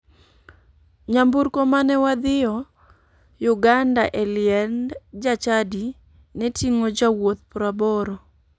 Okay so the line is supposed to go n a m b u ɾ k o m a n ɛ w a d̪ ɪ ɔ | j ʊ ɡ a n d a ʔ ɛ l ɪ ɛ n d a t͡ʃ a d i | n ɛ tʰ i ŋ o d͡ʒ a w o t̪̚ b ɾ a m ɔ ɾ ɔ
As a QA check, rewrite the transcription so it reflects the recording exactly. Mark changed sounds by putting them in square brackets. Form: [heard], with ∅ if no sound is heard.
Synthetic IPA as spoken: [ɲ] a m b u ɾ k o m a n ɛ w a d̪ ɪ ɔ | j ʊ ɡ a n d a ʔ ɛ l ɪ ɛ n [d͡ʒ] a t͡ʃ a d i | n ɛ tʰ i ŋ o d͡ʒ a w o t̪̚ [p] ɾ a [b] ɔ ɾ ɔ